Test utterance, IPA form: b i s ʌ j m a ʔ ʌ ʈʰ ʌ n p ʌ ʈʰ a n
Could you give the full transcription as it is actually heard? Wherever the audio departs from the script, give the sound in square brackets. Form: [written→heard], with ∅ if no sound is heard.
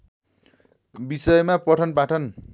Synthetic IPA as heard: b i s ʌ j m a [ʔ→p] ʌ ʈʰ ʌ n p [ʌ→a] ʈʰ [a→ʌ] n